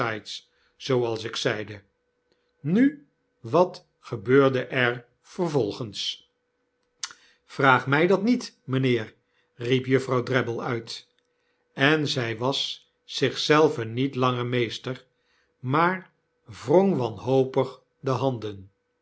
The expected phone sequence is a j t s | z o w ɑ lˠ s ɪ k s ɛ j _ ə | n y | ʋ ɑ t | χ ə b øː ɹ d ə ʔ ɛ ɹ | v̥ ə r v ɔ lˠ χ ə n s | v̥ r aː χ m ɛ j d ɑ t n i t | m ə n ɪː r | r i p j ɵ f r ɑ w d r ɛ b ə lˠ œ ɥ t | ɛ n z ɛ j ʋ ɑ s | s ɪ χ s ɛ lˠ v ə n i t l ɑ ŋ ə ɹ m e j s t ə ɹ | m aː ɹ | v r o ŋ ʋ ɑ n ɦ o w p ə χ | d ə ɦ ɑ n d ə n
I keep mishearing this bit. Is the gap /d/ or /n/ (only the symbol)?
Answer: d